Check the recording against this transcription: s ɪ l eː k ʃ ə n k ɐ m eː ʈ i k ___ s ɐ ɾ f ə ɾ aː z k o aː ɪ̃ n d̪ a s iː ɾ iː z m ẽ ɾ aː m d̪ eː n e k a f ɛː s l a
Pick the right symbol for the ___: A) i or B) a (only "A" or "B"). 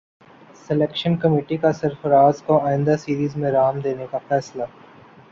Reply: B